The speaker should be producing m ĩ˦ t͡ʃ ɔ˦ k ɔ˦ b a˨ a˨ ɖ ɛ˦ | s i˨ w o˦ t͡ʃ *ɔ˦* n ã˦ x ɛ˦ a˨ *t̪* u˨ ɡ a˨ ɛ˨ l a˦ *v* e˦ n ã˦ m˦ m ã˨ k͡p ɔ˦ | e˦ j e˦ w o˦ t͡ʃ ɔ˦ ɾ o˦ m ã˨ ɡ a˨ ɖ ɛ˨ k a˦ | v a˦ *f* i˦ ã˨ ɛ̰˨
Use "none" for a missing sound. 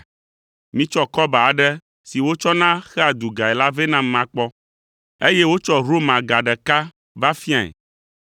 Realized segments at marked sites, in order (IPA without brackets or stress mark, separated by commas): ɔ˦, d̪, v, f